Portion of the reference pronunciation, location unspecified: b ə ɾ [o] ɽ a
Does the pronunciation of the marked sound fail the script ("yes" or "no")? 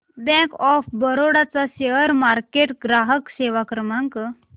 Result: no